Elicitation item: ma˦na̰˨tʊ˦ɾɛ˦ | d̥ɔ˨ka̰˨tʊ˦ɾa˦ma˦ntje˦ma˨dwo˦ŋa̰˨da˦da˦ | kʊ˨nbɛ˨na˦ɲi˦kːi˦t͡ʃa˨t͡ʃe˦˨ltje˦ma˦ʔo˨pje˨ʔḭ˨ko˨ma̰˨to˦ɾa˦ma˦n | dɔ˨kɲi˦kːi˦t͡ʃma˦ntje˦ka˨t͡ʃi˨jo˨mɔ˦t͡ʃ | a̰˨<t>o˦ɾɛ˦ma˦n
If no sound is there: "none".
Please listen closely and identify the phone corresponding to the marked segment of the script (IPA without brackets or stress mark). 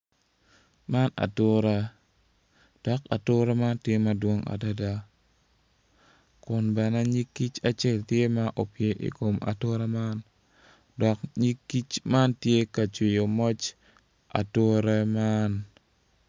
t